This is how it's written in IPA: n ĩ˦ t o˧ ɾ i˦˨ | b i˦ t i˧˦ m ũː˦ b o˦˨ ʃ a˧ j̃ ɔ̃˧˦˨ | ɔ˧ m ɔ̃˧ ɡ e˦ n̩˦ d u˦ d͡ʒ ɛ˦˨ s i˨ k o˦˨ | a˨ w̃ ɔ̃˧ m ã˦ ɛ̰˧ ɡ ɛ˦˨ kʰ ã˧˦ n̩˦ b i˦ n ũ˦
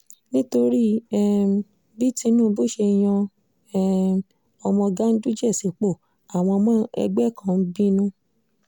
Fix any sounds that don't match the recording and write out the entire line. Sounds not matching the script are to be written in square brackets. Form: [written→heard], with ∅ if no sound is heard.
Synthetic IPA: n ĩ˦ t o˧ ɾ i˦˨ | b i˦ t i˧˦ [m→n] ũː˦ b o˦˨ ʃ [a˧→e˧] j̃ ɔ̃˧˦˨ | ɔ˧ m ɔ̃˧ ɡ [e˦→a˦] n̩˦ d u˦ d͡ʒ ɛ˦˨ s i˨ [k→k͡p] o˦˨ | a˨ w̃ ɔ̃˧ m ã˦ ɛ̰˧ [ɡ→ɡ͡b] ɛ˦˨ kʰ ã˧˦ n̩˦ b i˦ n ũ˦